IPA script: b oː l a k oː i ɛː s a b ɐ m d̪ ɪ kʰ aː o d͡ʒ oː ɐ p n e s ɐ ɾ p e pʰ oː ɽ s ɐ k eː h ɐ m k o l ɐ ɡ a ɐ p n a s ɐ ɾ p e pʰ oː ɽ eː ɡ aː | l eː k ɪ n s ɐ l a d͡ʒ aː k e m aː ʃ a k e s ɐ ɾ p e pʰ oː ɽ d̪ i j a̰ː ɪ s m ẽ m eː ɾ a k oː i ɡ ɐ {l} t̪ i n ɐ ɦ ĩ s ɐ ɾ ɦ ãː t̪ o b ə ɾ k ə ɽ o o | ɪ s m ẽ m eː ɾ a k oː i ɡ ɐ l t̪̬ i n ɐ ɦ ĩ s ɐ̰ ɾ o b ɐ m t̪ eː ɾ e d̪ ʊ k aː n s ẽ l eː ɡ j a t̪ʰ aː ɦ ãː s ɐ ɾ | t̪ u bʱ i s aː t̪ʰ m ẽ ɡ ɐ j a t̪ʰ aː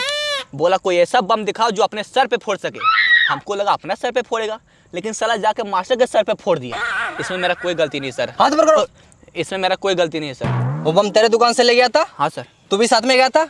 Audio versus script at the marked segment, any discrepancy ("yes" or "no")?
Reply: no